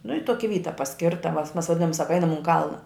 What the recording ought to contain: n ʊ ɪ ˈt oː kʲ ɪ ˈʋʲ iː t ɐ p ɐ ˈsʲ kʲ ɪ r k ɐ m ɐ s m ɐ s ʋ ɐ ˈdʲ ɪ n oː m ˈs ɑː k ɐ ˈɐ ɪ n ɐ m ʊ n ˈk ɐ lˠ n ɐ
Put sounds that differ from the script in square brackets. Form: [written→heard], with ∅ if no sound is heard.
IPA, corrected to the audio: n ʊ ɪ ˈt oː kʲ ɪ ˈʋʲ iː t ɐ p ɐ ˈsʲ kʲ ɪ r [k→t] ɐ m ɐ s m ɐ s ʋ ɐ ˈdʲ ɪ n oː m ˈs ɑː k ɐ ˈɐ ɪ n ɐ m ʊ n ˈk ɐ lˠ n ɐ